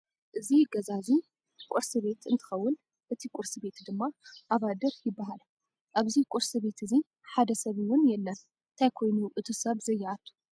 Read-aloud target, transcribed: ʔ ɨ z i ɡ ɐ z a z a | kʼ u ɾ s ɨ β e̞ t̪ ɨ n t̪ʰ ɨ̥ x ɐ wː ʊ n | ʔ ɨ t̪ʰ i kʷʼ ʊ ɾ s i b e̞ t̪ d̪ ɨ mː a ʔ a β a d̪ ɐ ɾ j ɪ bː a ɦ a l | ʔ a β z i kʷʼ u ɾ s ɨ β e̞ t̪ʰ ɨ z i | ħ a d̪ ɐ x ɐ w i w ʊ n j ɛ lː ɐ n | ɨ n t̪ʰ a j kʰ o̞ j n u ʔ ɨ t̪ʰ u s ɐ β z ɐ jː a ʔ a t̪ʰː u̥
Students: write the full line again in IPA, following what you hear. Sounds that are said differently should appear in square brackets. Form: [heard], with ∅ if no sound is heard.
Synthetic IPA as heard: ʔ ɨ z i ɡ ɐ z a z [i] | kʼ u ɾ s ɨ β e̞ t̪ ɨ n t̪ʰ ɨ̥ x ɐ wː ʊ n | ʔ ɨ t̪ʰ i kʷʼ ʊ ɾ s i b e̞ t̪ d̪ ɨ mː a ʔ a β a d̪ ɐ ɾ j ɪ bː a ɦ a l | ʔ a β z i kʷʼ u ɾ s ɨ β e̞ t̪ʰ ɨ z i | ħ a d̪ ɐ [s] ɐ [β] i w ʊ n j ɛ lː ɐ n | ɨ n t̪ʰ a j kʰ o̞ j n u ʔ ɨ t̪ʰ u s ɐ β z ɐ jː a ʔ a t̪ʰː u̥